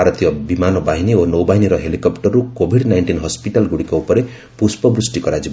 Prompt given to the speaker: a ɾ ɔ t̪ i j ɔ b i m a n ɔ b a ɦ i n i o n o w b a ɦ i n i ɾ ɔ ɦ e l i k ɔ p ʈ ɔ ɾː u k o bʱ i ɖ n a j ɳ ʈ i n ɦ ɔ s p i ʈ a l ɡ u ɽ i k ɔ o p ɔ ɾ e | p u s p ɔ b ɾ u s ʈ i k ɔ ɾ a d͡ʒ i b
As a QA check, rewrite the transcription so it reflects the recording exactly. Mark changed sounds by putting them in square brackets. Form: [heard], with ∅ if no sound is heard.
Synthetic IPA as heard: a ɾ ɔ t̪ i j ɔ b i m a n ɔ b a ɦ i n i o n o w b a ɦ i n i ɾ ɔ ɦ e l i k ɔ p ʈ ɔ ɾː u k o bʱ i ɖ n a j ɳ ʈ i n ɦ ɔ s p i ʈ a l ɡ u ɽ i k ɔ [u] p ɔ ɾ e | p u s p ɔ b ɾ u s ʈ i k ɔ ɾ a d͡ʒ i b